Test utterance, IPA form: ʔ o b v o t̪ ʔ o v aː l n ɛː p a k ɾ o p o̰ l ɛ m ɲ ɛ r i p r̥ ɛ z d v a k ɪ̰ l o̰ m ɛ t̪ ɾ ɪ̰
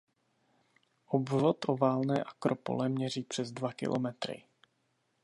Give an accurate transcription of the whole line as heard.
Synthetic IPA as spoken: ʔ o b v o t̪ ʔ o v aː l n ɛː ʔ a k ɾ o p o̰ l ɛ m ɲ ɛ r iː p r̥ ɛ z d v a k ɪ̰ l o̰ m ɛ t̪ ɾ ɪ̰

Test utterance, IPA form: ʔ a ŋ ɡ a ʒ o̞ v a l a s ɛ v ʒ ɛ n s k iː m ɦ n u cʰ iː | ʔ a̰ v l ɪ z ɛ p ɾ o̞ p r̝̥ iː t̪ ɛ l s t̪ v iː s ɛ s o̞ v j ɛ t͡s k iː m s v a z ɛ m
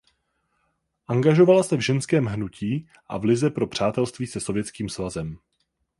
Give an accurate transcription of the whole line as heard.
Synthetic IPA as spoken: ʔ a ŋ ɡ a ʒ o̞ v a l a s ɛ v ʒ ɛ n s k ɛː m ɦ n u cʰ iː | ʔ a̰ v l ɪ z ɛ p ɾ o̞ p r̝̥ aː t̪ ɛ l s t̪ v iː s ɛ s o̞ v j ɛ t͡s k iː m s v a z ɛ m

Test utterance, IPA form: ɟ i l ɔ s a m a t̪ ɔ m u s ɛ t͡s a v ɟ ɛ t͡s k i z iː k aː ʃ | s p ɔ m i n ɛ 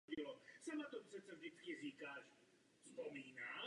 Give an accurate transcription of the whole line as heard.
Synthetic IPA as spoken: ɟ i l ɔ s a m a t̪ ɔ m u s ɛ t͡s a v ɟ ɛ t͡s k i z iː k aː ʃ | s p ɔ m iː n a

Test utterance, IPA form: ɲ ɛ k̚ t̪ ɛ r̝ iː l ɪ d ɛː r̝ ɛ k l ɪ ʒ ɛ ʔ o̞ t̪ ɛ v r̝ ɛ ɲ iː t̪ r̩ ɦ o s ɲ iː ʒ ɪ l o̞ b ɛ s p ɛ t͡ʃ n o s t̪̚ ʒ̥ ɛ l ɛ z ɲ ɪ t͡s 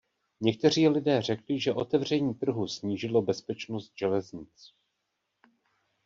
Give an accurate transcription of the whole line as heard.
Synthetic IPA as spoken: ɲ ɛ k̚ t̪ ɛ r̝ iː l ɪ d ɛː r̝ ɛ k l ɪ ʒ ɛ ʔ o̞ t̪ ɛ v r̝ ɛ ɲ iː t̪ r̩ ɦ u s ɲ iː ʒ ɪ l o̞ b ɛ s p ɛ t͡ʃ n o s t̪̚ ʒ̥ ɛ l ɛ z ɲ ɪ t͡s

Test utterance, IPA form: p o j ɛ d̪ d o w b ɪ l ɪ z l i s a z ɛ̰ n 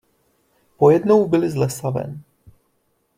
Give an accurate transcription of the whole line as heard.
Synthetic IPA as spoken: p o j ɛ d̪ n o w b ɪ l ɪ z l ɛ s a v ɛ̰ n

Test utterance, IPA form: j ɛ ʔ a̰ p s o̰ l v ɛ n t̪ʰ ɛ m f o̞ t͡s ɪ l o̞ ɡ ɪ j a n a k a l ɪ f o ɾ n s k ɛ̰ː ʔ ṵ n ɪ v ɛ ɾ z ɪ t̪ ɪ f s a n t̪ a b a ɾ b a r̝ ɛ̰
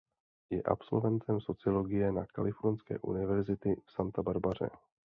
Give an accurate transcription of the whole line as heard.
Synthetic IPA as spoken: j ɛ ʔ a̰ p s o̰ l v ɛ n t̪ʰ ɛ m s o̞ t͡s ɪ l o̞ ɡ ɪ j ɛ n a k a l ɪ f o ɾ n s k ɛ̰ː ʔ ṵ n ɪ v ɛ ɾ z ɪ t̪ ɪ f s a n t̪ a b a ɾ b a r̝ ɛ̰

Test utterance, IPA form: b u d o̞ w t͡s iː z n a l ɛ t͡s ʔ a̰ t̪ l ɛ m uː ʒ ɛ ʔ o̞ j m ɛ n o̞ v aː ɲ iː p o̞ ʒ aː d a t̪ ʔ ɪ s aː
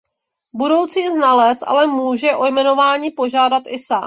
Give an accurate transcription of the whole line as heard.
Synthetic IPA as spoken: b u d o̞ w t͡s iː z n a l ɛ t͡s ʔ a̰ l ɛ m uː ʒ ɛ ʔ o̞ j m ɛ n o̞ v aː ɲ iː p o̞ ʒ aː d a t̪ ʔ ɪ s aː

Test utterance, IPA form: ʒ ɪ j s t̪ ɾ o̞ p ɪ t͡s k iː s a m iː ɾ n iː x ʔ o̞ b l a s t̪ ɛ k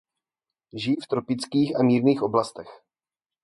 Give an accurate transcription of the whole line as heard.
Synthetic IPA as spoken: ʒ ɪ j f t̪ ɾ o̞ p ɪ t͡s k iː x a m iː ɾ n iː x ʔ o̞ b l a s t̪ ɛ x

